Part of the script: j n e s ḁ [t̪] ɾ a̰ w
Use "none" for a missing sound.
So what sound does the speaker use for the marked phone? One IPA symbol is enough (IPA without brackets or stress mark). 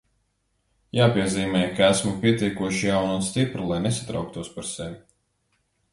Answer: t̪